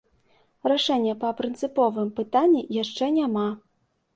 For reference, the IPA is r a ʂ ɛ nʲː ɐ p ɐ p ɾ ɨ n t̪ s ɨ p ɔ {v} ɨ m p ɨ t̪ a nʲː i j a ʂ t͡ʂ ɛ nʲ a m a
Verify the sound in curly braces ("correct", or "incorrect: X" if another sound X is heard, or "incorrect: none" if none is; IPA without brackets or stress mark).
correct